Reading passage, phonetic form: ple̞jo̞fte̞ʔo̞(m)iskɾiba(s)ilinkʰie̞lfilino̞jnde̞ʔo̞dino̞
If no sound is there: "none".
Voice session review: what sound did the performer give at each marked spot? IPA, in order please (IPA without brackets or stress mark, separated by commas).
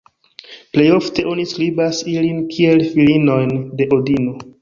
n, s